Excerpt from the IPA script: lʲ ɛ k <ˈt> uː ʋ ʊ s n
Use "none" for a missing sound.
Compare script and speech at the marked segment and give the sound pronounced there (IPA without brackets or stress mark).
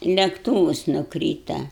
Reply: t